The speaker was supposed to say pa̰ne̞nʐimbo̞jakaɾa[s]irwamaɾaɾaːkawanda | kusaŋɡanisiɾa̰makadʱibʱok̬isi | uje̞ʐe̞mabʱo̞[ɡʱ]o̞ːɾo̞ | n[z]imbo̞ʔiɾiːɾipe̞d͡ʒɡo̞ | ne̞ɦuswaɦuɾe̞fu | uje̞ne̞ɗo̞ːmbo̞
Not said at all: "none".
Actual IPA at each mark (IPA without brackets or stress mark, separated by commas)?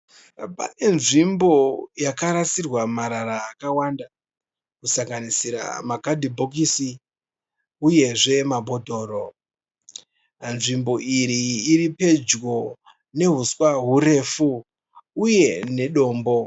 s, dʱ, ʐ